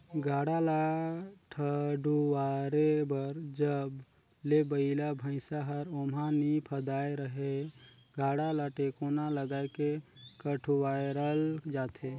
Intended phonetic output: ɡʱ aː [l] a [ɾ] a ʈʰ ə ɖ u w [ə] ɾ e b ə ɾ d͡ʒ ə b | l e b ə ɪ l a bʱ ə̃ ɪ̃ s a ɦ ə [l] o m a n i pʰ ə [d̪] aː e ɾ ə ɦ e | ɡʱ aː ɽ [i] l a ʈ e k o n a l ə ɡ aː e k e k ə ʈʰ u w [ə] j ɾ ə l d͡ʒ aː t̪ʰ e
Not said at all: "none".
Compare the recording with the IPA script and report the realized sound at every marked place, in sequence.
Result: ɽ, l, a, ɾ, d̪, a, a

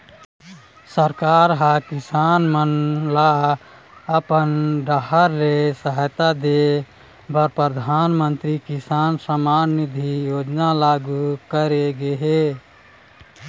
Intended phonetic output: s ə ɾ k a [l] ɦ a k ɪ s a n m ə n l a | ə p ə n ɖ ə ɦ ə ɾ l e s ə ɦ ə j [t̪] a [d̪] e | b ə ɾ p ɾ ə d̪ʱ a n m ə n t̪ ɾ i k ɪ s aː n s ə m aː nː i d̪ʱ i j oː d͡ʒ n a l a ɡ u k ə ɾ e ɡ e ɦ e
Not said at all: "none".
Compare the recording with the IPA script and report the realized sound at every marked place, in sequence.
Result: ɾ, t̪, d̪

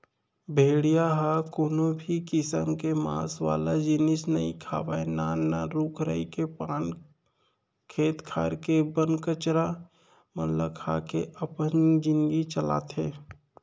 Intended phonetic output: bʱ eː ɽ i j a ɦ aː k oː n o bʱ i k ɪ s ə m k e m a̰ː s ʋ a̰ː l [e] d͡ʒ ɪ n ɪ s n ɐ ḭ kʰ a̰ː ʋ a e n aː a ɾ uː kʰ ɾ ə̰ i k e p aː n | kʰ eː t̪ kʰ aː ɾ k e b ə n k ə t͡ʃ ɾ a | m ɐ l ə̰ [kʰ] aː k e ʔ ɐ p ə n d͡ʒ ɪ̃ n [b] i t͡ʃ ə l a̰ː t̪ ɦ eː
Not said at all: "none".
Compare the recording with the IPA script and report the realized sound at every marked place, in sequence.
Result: a, kʰ, ɡ

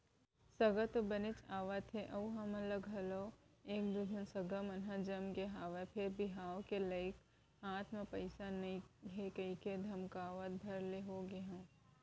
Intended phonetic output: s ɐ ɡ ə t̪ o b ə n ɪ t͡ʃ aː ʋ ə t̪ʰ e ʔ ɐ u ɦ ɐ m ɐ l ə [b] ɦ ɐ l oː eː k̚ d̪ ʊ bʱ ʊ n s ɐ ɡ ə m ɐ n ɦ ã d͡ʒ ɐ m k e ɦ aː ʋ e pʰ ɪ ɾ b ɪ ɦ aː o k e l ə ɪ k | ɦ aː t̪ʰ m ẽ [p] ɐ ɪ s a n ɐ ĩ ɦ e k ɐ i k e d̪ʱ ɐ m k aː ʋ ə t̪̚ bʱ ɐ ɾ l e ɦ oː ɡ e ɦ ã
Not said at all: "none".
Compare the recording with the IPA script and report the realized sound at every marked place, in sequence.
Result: ɡ, p

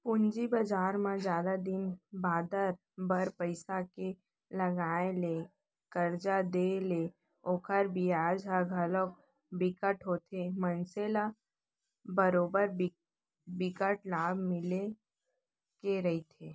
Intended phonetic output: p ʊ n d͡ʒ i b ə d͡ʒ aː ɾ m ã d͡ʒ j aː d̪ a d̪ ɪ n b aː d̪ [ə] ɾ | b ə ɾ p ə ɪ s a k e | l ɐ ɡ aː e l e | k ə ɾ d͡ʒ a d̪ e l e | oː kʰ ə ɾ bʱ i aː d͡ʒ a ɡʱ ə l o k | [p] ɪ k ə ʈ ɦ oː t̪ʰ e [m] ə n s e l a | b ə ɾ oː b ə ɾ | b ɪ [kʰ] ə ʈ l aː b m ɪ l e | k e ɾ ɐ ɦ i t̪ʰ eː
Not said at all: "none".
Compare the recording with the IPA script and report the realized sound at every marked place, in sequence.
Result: ə, b, m, k

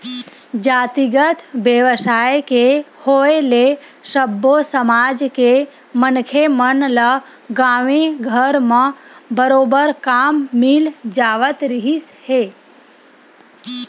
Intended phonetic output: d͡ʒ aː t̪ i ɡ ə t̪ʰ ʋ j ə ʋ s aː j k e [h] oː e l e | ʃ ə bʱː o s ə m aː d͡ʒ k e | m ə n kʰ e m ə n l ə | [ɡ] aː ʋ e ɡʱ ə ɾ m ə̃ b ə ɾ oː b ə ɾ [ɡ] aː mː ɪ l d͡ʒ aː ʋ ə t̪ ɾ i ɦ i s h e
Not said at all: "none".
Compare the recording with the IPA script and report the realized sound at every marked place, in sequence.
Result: h, ɡ, k

